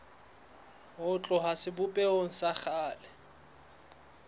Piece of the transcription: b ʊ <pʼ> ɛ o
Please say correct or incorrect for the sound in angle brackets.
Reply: correct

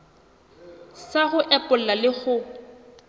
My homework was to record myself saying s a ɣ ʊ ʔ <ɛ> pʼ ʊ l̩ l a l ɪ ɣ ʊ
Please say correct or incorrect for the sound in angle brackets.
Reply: correct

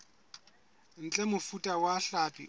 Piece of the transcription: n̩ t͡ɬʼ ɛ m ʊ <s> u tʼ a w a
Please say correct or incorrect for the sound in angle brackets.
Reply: incorrect: f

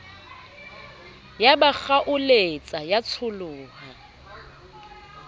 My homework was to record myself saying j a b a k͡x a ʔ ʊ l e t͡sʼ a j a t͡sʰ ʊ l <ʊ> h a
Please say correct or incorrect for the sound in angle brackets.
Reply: incorrect: ʊː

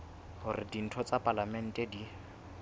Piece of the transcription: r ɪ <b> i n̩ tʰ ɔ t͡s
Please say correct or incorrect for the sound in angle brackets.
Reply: incorrect: d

